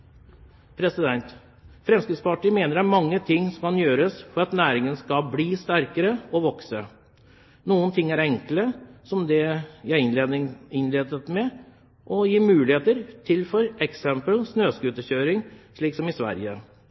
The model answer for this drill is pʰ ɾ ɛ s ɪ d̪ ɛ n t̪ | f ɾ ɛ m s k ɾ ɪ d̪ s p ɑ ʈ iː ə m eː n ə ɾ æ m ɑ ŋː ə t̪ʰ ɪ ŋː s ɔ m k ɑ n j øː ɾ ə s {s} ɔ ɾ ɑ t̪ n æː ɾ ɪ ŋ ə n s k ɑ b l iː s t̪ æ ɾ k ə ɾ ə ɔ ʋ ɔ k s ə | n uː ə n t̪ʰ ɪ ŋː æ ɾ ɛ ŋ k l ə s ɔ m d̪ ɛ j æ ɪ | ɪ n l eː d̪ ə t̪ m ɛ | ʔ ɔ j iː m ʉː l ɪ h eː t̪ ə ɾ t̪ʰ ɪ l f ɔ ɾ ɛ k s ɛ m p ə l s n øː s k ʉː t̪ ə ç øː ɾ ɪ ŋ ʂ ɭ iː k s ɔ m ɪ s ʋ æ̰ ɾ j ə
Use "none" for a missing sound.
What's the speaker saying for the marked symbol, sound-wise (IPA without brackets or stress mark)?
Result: f